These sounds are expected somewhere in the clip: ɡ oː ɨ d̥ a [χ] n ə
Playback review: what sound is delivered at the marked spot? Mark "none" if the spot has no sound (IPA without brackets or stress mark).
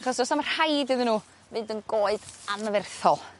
none